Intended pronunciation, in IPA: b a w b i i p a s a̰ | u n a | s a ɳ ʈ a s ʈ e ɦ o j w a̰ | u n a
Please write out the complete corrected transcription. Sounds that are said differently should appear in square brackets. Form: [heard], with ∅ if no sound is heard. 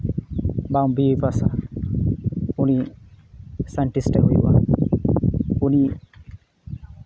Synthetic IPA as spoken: b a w b i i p a s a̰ | u n [i] | s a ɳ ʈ [i] s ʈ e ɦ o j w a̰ | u n [i]